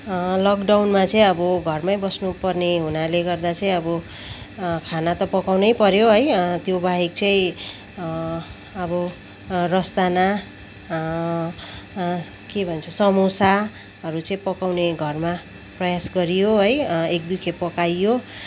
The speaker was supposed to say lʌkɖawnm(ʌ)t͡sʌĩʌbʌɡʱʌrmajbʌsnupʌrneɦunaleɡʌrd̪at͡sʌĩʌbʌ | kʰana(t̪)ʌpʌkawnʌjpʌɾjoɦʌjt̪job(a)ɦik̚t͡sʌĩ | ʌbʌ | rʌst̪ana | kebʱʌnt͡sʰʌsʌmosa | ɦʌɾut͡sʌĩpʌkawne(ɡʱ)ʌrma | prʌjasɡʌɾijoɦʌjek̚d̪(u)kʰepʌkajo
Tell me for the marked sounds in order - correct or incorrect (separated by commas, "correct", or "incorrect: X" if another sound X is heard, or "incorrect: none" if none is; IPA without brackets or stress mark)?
incorrect: a, correct, correct, correct, correct